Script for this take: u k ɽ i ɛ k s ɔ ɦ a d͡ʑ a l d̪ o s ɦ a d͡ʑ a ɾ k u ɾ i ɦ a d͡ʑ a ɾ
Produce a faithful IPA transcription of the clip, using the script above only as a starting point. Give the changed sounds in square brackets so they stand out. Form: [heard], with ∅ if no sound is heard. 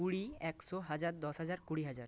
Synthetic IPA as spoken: u [∅] ɽ i ɛ k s ɔ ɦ a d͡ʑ a [ɾ] d̪ [ɔ] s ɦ a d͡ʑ a ɾ k u [ɽ] i ɦ a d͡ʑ a ɾ